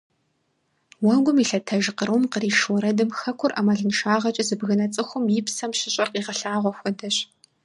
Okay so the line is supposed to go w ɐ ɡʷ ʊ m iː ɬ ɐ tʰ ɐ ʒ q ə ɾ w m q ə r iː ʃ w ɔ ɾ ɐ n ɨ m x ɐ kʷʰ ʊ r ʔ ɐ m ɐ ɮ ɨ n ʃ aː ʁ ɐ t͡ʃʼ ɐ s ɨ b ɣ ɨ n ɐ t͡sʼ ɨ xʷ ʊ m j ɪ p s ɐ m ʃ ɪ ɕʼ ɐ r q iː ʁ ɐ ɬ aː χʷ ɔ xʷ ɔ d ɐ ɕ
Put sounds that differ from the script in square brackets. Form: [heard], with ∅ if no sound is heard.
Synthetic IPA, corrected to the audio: w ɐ ɡʷ ʊ m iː ɬ ɐ tʰ ɐ ʒ q ə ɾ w m q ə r iː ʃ w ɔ ɾ ɐ [d] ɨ m x ɐ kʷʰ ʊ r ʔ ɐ m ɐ ɮ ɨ n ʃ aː ʁ ɐ t͡ʃʼ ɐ [z] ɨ b ɣ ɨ n ɐ t͡sʼ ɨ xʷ ʊ m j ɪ p s ɐ m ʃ ɪ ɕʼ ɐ r q iː ʁ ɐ ɬ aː [ʁʷ] ɔ xʷ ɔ d ɐ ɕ